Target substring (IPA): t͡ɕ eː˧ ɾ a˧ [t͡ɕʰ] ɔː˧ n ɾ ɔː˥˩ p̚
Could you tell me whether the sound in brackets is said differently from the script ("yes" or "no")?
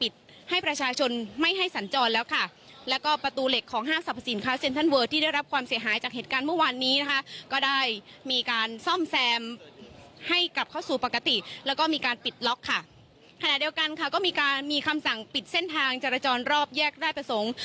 yes